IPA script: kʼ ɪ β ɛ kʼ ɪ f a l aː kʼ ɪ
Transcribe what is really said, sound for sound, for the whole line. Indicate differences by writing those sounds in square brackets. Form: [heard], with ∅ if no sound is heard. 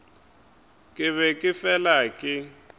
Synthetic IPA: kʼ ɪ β ɛ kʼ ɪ f [ɛ] l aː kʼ ɪ